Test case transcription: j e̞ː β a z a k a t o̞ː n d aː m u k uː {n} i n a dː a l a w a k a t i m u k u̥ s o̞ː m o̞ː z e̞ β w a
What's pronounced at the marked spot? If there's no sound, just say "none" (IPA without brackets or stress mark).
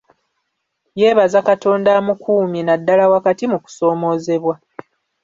m